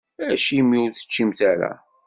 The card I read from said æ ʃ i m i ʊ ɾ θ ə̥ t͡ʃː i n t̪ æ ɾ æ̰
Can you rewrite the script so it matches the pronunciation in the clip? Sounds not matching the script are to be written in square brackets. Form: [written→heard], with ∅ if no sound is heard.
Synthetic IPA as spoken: æ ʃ i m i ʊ ɾ θ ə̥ t͡ʃː i [n→m] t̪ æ ɾ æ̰